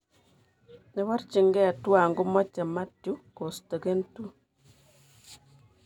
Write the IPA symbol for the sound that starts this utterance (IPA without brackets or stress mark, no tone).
n